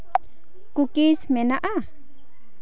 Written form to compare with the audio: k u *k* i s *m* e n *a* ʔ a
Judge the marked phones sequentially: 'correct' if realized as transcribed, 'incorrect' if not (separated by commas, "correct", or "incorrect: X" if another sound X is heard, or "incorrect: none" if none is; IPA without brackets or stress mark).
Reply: correct, correct, correct